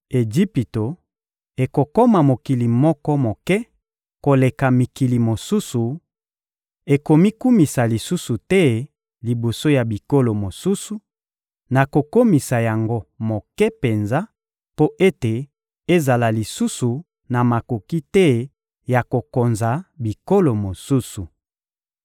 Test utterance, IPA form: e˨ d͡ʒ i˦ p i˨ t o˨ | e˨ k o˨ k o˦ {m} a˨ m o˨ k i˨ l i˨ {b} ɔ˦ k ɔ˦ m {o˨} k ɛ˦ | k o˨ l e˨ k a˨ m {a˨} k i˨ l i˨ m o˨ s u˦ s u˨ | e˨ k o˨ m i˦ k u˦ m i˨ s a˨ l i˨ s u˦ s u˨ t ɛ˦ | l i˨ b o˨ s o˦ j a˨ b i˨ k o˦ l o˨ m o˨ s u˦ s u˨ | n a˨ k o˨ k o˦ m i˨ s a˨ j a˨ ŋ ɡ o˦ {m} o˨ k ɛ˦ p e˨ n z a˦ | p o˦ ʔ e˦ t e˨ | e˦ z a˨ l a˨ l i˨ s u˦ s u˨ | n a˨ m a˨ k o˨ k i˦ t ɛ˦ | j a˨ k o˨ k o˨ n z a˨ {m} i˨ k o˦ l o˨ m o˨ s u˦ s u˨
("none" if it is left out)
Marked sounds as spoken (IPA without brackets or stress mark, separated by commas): m, m, o˨, i˨, m, b